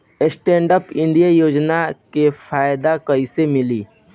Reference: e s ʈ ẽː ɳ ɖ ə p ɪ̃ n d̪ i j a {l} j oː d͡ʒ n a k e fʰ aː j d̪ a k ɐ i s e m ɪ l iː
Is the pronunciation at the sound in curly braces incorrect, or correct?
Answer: incorrect